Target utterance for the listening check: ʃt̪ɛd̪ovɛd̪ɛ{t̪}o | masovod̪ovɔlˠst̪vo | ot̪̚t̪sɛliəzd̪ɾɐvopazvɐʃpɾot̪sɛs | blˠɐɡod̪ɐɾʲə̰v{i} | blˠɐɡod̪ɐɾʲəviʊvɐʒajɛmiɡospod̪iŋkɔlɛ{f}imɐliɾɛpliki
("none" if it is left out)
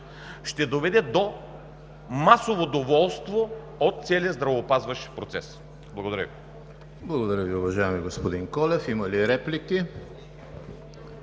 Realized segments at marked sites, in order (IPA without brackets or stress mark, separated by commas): d̪, i, f